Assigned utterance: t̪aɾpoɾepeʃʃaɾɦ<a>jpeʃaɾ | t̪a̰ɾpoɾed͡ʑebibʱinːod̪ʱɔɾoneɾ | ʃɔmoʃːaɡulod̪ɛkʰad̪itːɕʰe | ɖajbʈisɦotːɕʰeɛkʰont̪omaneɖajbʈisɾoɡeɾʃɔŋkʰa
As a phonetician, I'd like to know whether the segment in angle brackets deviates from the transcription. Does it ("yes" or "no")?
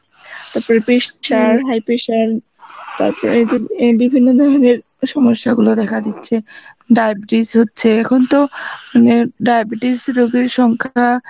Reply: no